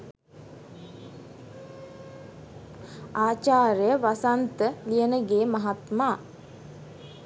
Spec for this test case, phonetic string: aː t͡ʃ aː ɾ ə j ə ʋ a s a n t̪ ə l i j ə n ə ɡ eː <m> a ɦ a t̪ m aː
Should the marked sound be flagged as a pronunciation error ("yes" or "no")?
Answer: no